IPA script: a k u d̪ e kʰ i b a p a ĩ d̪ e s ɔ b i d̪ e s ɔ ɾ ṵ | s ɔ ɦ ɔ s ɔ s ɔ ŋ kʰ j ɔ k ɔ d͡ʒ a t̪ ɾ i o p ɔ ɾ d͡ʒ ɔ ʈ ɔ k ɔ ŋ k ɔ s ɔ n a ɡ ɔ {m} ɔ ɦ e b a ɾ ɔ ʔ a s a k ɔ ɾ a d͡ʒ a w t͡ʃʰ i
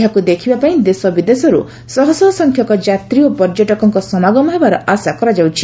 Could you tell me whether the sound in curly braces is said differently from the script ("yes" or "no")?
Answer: no